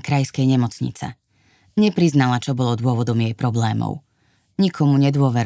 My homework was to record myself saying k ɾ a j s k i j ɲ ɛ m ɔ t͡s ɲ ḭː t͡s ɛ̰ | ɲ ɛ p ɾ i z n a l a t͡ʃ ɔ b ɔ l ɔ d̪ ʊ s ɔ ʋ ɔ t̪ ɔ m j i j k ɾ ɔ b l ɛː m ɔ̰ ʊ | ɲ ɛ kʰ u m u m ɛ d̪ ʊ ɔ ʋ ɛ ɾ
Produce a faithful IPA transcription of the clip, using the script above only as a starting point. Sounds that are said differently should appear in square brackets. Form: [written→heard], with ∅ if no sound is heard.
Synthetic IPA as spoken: k ɾ a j s k [i→ɛ] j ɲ ɛ m ɔ t͡s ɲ [ḭː→ḭ] t͡s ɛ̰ | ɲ ɛ p ɾ i z n a l a t͡ʃ ɔ b ɔ l ɔ d̪ ʊ [s→∅] ɔ ʋ ɔ [t̪→d̪] ɔ m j [i→ɛ] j [k→p] ɾ ɔ b l ɛː m ɔ̰ ʊ | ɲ [ɛ→i] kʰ [u→ɔ] m u [m→ɲ] ɛ d̪ ʊ ɔ ʋ ɛ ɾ